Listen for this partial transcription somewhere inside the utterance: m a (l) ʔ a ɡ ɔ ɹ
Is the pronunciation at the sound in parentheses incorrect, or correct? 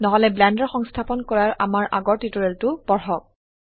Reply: incorrect